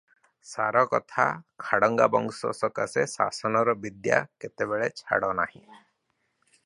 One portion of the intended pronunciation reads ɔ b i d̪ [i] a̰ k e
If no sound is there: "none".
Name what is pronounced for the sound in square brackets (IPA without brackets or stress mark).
j